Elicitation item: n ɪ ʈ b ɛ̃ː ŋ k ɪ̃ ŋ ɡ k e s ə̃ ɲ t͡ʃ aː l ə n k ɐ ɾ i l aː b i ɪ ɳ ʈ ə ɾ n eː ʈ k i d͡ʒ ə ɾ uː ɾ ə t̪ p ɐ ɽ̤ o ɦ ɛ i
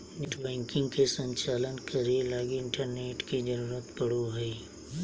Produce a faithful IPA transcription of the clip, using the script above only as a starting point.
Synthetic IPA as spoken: n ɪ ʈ b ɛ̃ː ŋ k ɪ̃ ŋ ɡ k e s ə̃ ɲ t͡ʃ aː l ə n k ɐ ɾ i l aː ɡ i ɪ ɳ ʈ ə ɾ n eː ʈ k i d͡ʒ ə ɾ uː ɾ ə t̪ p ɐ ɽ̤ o ɦ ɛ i